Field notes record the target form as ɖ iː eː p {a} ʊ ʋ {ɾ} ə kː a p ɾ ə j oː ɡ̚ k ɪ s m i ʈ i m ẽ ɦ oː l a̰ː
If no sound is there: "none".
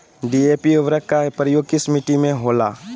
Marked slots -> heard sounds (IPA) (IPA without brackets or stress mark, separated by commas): i, ɾ